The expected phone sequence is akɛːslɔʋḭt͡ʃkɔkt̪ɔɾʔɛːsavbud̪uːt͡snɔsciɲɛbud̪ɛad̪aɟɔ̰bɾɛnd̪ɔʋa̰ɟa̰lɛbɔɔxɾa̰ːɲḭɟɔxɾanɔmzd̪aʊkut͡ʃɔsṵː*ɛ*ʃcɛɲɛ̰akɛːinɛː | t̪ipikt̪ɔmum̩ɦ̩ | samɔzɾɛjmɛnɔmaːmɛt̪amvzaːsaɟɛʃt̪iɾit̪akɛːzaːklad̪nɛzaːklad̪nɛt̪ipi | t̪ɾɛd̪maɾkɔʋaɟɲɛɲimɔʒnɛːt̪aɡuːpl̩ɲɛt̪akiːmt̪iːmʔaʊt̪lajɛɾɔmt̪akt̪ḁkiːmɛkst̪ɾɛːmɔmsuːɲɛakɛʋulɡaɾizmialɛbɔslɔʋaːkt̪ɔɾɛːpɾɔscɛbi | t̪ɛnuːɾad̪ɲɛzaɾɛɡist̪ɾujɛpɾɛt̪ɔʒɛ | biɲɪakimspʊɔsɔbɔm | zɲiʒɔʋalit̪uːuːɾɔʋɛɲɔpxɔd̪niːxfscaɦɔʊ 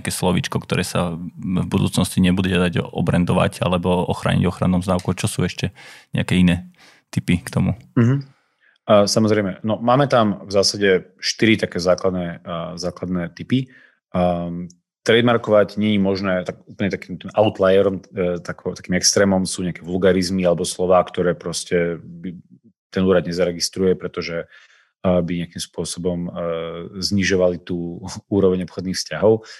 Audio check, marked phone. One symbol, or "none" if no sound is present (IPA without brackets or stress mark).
ɛ